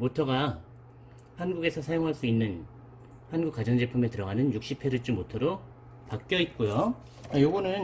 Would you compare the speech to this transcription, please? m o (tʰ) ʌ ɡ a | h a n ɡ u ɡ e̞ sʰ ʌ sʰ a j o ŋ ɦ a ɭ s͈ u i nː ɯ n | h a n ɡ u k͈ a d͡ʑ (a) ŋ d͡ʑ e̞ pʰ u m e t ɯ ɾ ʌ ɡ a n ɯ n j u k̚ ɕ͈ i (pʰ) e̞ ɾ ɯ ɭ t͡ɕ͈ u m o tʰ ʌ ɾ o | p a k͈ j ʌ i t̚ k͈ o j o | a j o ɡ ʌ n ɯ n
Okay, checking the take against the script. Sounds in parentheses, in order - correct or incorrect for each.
correct, incorrect, correct

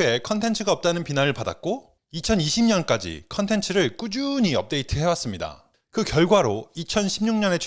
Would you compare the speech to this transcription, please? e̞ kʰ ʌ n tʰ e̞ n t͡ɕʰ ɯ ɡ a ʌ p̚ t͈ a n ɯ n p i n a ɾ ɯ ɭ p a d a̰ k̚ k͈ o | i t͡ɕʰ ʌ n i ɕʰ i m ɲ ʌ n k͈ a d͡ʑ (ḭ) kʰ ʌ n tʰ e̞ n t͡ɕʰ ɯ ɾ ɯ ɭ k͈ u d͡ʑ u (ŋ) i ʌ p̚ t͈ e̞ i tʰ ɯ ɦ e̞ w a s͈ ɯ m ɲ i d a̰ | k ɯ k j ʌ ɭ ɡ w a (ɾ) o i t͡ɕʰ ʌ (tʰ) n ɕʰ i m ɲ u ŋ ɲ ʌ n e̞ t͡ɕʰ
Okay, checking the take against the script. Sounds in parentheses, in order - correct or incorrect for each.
correct, incorrect, correct, incorrect

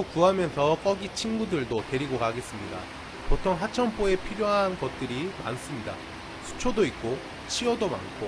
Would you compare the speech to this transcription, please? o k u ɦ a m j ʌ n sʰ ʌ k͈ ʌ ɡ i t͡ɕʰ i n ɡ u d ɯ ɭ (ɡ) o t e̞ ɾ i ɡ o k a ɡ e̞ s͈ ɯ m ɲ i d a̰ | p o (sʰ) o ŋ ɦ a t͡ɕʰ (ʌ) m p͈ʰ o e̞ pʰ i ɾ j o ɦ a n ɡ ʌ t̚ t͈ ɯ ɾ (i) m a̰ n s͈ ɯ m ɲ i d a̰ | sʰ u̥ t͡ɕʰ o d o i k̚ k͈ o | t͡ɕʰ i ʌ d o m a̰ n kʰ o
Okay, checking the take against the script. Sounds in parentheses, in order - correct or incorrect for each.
incorrect, incorrect, correct, correct

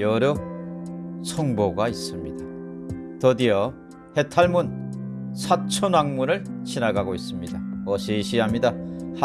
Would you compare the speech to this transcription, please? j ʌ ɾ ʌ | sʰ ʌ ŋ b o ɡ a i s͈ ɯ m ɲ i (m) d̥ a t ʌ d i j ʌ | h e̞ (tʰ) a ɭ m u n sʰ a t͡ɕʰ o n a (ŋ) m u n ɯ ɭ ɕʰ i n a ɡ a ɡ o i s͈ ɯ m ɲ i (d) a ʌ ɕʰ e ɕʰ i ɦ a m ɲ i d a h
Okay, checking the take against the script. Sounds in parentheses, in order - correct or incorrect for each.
incorrect, correct, correct, correct

